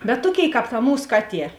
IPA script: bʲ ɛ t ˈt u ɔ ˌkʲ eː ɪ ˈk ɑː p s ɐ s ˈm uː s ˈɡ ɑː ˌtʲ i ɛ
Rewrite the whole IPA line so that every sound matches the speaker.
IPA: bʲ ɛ t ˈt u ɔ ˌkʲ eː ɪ ˈk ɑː p t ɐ ˈm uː s ˈk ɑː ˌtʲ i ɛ